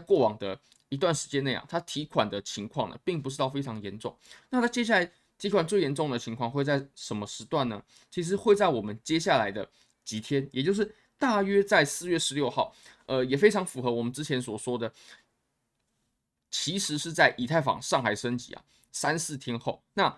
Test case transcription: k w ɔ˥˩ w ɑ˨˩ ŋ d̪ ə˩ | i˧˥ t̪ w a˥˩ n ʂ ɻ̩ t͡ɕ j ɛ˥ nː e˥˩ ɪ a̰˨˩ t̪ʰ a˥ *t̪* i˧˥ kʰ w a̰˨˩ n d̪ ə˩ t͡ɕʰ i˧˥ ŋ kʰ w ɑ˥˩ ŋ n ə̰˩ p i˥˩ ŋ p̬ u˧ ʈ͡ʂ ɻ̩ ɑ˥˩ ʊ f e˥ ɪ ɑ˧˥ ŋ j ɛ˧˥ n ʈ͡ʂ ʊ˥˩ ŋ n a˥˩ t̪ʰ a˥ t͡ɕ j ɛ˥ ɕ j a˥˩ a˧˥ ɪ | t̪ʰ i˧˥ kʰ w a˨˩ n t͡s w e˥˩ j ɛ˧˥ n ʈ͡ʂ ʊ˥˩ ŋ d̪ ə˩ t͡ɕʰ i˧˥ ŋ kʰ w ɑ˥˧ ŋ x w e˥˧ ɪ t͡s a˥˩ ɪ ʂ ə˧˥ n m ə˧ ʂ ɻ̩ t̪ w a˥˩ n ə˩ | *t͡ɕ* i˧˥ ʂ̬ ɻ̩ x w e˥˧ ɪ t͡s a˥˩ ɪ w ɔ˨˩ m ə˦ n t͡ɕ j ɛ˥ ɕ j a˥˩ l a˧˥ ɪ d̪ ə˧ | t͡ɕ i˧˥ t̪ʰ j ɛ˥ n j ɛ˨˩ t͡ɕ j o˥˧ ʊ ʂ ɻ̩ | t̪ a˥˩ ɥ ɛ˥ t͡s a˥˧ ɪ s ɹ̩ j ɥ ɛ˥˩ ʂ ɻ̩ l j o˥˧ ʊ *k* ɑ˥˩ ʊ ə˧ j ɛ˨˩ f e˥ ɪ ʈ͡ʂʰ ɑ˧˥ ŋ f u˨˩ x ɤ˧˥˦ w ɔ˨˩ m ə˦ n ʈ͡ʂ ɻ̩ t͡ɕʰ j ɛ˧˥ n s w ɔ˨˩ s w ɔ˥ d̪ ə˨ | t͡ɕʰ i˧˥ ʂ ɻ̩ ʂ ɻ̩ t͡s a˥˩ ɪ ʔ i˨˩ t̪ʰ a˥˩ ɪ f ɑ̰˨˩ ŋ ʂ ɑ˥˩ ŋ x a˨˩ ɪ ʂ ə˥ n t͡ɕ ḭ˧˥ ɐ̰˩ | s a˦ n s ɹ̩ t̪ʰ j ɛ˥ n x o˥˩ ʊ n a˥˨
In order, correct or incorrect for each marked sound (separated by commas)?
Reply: incorrect, incorrect, incorrect